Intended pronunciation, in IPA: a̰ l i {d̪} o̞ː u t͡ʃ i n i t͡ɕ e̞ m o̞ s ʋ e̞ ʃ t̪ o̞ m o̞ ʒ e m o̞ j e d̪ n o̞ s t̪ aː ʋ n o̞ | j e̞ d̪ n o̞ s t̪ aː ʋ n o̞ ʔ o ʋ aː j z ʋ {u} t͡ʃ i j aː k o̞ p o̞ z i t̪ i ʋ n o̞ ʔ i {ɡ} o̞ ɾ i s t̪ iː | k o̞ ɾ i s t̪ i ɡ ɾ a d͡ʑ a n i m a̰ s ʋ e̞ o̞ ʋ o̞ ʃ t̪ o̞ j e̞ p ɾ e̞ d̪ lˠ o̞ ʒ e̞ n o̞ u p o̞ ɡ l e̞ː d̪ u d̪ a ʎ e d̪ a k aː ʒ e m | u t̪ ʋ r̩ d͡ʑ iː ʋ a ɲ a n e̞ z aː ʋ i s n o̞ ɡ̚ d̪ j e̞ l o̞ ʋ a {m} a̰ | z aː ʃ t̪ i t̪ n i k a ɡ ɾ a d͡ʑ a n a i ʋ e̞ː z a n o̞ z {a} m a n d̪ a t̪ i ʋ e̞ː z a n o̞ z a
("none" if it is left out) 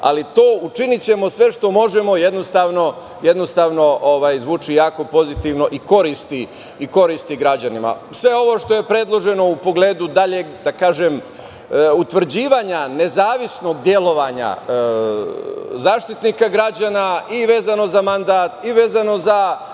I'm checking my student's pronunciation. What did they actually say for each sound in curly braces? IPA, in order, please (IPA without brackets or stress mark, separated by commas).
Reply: t̪, uː, k, ɲ, a